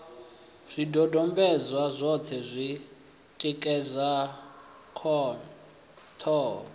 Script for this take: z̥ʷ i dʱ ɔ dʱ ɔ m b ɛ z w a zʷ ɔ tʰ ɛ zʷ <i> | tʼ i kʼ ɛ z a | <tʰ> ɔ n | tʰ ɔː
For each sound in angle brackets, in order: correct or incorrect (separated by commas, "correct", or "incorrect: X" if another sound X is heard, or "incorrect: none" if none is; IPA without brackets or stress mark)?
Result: correct, incorrect: kʰ